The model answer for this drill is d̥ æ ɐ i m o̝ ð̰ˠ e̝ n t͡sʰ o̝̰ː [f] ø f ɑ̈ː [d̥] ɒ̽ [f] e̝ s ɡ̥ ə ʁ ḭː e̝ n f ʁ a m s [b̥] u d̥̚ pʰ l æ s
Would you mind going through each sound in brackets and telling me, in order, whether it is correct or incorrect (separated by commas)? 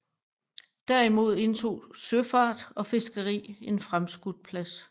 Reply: incorrect, correct, correct, incorrect